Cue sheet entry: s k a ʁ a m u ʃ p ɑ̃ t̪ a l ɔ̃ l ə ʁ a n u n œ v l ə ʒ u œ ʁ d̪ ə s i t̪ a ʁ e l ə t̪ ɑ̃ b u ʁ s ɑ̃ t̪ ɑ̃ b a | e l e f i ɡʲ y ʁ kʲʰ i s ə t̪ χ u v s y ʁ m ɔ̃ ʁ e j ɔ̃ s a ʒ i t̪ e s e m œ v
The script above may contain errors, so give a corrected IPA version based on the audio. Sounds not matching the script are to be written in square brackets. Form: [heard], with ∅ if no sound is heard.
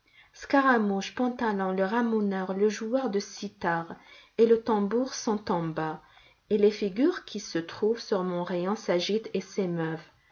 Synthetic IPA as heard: s k a ʁ a m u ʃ p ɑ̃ t̪ a l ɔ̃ l ə ʁ a [m] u n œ [ʁ] l ə ʒ u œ ʁ d̪ ə s i t̪ a ʁ e l ə t̪ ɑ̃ b u ʁ s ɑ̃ t̪ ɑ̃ b a | e l e f i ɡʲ y ʁ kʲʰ i s ə t̪ χ u v s y ʁ m ɔ̃ ʁ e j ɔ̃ s a ʒ i t̪ e s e m œ v